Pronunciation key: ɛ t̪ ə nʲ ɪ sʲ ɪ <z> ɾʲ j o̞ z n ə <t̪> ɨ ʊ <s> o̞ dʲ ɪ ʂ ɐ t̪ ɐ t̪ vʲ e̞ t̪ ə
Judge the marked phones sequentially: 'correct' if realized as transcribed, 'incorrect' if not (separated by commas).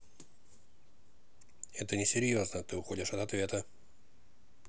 incorrect, correct, incorrect